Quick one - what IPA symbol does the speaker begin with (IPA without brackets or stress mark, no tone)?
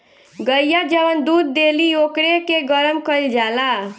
ɡ